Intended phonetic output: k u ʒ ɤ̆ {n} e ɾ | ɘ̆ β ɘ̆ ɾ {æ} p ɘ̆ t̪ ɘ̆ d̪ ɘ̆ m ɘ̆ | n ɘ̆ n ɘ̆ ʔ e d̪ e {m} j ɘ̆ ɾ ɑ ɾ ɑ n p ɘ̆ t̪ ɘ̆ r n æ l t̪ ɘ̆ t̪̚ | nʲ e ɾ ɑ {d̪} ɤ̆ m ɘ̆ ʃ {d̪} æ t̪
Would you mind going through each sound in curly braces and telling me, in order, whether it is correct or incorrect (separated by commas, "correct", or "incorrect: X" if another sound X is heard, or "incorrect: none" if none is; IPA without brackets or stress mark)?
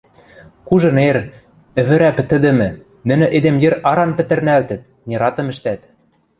correct, correct, correct, incorrect: t̪, incorrect: t̪